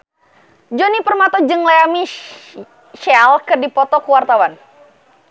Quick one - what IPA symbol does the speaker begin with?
d͡ʒ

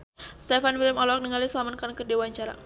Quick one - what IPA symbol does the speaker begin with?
s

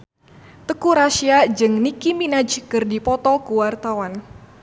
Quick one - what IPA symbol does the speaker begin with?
t̪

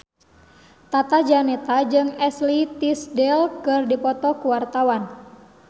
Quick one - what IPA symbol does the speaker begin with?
t̪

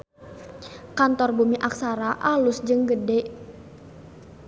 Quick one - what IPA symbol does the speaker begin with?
k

